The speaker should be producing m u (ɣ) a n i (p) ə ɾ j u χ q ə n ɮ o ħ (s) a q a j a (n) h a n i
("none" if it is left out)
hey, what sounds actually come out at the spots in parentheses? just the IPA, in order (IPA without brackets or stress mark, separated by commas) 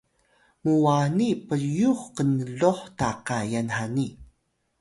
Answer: w, p, t, n